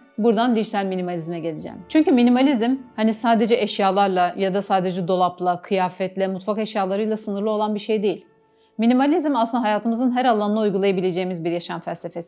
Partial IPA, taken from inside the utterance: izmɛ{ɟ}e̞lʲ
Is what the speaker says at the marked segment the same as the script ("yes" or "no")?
yes